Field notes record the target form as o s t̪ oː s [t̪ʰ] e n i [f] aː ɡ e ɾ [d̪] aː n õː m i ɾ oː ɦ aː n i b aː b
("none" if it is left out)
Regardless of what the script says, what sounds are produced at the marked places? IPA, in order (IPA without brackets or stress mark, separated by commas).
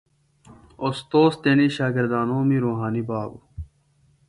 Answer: t̪, ɕ, d̪